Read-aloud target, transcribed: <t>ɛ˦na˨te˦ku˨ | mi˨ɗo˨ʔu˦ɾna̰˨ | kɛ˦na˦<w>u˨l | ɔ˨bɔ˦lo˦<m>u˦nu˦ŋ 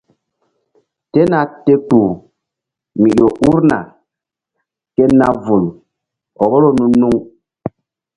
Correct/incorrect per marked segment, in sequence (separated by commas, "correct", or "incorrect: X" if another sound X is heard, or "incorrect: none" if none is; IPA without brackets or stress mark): correct, incorrect: v, incorrect: n